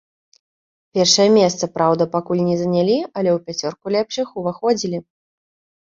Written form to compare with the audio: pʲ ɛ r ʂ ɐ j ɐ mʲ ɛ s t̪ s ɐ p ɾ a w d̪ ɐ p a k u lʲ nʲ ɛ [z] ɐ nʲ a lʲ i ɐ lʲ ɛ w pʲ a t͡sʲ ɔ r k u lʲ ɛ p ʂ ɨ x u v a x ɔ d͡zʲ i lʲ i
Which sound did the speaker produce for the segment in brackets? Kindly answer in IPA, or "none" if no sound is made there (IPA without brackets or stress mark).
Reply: z